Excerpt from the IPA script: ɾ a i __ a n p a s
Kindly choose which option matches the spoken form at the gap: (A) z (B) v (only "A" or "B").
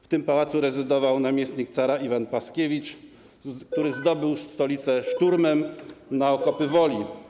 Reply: B